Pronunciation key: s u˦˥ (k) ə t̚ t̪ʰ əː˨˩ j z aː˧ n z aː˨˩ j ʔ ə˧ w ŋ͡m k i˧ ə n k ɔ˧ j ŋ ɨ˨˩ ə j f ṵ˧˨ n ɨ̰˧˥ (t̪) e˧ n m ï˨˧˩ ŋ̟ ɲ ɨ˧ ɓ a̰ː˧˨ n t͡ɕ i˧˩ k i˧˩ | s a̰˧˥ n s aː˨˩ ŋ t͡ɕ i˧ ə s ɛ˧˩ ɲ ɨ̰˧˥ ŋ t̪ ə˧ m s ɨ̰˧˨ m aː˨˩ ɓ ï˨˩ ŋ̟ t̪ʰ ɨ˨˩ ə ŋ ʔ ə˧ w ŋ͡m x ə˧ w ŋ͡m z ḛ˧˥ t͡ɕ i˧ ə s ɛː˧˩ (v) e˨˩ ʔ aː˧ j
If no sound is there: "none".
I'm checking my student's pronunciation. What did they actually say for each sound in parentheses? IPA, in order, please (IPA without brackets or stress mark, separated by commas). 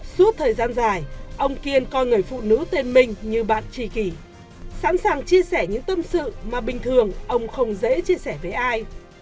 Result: none, t̪, v